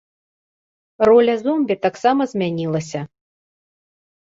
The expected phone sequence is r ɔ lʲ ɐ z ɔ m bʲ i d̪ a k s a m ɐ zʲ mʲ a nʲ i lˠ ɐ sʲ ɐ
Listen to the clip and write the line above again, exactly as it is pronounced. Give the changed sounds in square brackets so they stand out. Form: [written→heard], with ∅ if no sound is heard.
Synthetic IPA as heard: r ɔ lʲ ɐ z ɔ m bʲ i [d̪→t̪] a k s a m ɐ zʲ mʲ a nʲ i lˠ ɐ sʲ ɐ